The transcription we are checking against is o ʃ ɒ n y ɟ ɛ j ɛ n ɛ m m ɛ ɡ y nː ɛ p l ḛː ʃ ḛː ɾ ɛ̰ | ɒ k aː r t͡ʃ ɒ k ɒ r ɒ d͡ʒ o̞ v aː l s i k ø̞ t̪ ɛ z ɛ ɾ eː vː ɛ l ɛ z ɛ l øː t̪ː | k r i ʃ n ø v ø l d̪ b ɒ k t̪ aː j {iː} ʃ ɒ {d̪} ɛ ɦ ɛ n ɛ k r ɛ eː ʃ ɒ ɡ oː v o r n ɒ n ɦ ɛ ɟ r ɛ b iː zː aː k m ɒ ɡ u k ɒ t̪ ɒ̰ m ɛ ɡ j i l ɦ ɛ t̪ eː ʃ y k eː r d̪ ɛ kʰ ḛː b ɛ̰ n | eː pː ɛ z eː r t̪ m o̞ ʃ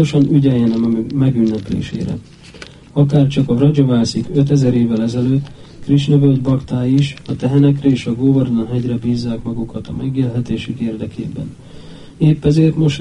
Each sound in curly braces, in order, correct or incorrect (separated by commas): incorrect, incorrect